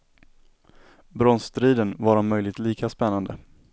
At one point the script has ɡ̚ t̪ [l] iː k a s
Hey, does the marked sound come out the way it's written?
yes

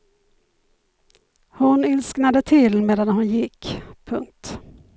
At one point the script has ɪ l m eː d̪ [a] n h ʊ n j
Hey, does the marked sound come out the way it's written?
yes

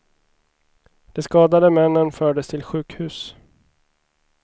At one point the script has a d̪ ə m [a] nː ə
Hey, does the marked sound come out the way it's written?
no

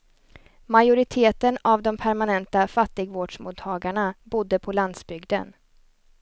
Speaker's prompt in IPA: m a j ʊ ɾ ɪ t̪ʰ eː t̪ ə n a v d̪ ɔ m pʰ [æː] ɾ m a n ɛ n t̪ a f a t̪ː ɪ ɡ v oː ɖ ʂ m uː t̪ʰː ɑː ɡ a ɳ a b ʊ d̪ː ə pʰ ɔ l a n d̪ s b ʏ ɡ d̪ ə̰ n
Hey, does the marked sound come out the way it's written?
no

